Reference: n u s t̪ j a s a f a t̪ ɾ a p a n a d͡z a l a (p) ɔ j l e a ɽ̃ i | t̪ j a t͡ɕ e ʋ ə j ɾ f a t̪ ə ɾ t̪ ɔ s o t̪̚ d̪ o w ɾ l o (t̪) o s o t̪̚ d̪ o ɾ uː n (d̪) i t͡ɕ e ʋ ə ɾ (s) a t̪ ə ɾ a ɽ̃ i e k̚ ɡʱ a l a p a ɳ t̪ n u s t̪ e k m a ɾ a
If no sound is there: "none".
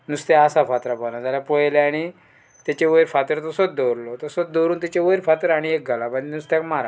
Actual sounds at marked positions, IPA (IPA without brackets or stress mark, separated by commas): p, t̪, t̪, f